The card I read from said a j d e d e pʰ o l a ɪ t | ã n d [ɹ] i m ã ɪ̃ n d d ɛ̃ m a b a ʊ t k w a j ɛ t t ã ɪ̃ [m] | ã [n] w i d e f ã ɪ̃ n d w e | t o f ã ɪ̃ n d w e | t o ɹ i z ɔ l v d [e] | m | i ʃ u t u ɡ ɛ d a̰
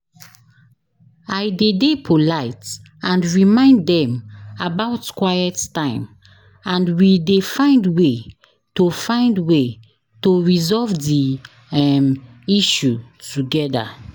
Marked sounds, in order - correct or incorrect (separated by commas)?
correct, correct, correct, incorrect